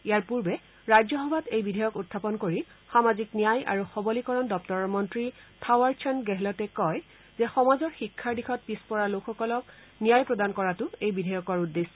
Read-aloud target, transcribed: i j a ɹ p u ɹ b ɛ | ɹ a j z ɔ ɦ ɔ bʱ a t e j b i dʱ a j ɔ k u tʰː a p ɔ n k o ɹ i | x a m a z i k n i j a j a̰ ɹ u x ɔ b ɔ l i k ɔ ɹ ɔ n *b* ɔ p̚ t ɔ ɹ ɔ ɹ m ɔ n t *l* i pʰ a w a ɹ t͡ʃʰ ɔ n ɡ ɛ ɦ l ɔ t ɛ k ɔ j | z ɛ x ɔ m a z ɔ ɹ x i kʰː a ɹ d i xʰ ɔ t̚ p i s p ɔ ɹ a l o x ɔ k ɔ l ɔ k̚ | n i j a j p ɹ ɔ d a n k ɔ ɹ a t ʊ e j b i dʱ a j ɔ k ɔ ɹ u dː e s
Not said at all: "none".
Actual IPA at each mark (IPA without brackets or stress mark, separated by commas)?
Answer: d, ɹ